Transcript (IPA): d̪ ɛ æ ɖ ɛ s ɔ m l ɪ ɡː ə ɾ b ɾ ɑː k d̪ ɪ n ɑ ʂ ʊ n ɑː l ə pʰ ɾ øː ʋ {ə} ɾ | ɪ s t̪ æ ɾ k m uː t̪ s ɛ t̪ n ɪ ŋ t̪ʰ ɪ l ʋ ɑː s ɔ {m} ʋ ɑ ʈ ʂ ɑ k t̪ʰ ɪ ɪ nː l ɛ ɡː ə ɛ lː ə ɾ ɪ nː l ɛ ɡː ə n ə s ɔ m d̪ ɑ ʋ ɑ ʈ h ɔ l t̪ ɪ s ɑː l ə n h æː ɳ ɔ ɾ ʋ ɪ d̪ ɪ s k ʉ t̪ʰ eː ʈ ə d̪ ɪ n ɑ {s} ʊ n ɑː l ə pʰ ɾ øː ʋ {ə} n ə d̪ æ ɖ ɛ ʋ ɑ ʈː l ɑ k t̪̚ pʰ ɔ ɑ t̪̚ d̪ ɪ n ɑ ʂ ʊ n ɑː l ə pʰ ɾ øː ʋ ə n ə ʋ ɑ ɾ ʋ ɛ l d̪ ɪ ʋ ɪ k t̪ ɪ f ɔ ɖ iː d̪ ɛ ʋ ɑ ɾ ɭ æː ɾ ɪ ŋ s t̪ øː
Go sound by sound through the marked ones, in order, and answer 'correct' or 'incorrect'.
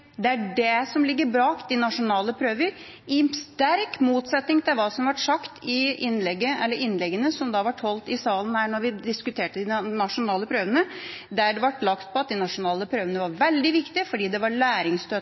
correct, correct, incorrect, correct

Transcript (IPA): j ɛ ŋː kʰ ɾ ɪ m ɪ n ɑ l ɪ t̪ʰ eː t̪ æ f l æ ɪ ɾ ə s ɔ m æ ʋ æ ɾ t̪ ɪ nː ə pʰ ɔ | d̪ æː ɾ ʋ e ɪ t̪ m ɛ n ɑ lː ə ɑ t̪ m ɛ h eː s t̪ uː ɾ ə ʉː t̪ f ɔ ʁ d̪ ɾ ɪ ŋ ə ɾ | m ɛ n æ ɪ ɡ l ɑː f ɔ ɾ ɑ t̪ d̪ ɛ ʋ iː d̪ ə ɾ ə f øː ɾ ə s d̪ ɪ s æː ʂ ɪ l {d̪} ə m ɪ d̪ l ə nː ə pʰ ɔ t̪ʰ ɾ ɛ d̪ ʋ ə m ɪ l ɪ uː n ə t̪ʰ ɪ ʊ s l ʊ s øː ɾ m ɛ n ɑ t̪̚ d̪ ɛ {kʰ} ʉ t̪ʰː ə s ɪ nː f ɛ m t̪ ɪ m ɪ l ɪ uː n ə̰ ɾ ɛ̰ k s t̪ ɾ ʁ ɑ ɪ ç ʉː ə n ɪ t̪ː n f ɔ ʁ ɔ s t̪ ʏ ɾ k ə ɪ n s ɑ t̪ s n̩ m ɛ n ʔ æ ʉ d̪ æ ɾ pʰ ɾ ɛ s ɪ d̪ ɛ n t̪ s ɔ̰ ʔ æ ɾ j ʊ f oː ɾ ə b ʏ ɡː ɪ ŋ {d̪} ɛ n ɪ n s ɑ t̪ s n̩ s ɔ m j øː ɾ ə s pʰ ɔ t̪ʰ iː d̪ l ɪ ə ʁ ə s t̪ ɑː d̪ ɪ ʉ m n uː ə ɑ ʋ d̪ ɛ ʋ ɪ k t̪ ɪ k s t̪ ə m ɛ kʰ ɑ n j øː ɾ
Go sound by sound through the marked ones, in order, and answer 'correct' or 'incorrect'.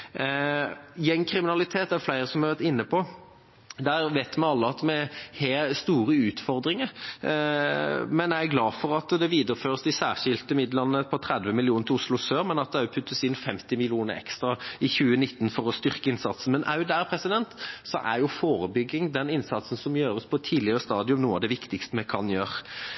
incorrect, incorrect, correct

